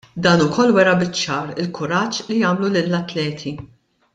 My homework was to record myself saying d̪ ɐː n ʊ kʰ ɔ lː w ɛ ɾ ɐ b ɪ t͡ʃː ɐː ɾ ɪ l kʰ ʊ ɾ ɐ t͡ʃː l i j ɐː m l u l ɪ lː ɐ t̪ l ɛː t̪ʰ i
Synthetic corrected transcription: d̪ ɐː n ʊ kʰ ɔ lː w ɛ ɾ ɐ b ɪ t͡ʃː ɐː ɾ ɪ l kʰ ʊ ɾ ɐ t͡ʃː l i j ɐː m l u l ɪ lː ɐ t̪ l ɛː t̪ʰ i